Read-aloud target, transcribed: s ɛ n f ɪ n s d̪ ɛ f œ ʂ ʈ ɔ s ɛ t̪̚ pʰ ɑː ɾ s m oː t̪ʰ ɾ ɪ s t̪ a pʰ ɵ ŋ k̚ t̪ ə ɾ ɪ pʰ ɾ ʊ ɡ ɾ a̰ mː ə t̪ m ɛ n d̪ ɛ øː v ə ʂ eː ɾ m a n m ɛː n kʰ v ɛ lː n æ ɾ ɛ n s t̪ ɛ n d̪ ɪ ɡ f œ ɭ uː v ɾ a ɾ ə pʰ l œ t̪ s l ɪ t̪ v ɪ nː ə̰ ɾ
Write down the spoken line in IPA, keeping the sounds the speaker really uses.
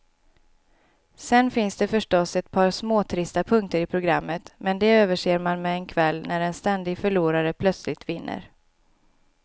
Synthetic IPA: s ɛ n f ɪ n s d̪ ɛ f œ ʂ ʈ ɔ s ɛ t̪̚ pʰ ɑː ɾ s m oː t̪ʰ ɾ ɪ s t̪ a pʰ ɵ ŋ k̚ t̪ ə ɾ ɪ pʰ ɾ ʊ ɡ ɾ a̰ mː ə t̪ m ɛ n d̪ ɛ øː v ə ʂ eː ɾ m a n m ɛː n kʰ v ɛ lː n æ ɾ ɛ n s t̪ ɛ n d̪ ɪ ɡ f œ ɭ uː ɾ a ɾ ə pʰ l œ t̪ s l ɪ t̪ v ɪ nː ə̰ ɾ